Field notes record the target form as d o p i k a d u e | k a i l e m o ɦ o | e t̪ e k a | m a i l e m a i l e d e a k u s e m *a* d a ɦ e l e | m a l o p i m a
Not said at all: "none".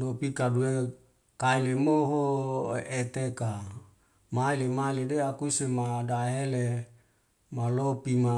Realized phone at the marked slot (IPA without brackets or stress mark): a